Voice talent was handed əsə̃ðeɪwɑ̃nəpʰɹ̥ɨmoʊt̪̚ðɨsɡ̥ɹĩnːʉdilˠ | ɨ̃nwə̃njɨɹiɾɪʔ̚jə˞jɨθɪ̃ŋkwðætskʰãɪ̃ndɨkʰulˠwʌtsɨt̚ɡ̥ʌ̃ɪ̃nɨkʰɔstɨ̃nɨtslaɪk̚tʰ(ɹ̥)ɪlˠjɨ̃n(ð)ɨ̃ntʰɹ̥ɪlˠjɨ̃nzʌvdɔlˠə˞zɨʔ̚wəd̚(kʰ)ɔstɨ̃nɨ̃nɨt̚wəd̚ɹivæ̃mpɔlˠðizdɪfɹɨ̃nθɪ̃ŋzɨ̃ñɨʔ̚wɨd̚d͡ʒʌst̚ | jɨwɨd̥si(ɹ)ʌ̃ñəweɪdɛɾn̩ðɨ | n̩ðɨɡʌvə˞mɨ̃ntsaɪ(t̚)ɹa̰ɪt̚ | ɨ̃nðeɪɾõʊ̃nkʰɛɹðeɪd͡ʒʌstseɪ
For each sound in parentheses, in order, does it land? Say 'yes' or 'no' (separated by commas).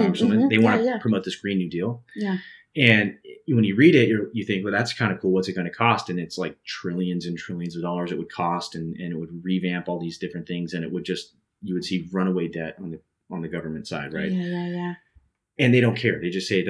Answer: yes, no, yes, yes, no